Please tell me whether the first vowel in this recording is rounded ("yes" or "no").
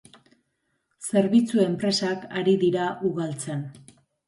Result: no